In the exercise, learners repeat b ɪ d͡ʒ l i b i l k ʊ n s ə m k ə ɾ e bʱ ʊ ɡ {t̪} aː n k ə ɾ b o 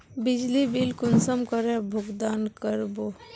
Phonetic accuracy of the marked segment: incorrect: d̪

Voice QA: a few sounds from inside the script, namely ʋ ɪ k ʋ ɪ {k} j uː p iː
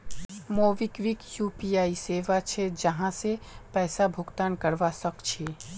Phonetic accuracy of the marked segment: correct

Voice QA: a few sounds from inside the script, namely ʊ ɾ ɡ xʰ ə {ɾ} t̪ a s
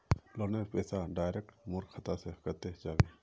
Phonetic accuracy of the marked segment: incorrect: none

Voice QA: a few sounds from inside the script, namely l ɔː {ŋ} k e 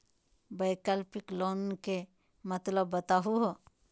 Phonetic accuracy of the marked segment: incorrect: n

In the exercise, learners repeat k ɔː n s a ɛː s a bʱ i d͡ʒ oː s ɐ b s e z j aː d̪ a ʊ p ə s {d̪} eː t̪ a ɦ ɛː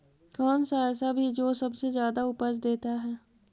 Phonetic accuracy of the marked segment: correct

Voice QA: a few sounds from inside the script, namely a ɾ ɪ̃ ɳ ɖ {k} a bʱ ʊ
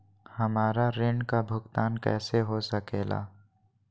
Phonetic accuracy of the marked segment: correct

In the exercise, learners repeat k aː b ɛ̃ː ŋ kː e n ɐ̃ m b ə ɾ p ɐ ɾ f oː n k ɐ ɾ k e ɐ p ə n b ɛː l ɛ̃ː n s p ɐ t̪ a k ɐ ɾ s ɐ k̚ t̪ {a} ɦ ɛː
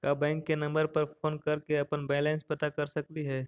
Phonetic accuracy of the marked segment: incorrect: i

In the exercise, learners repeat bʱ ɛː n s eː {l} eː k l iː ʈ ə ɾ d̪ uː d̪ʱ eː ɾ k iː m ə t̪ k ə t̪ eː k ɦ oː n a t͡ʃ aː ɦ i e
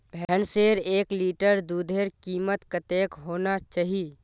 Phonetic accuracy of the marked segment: incorrect: ɾ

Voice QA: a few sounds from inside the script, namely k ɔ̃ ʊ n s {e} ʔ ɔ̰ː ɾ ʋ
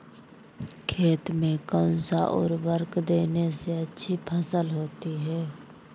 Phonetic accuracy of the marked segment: incorrect: a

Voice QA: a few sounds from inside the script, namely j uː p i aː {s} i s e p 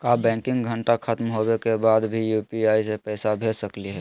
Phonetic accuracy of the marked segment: incorrect: none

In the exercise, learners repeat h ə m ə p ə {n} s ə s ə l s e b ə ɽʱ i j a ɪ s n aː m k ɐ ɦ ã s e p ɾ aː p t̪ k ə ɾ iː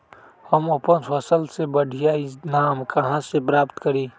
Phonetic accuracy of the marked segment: correct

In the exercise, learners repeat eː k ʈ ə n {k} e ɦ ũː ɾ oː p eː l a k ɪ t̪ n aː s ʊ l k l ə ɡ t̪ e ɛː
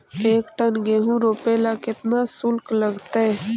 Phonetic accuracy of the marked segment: incorrect: ɡ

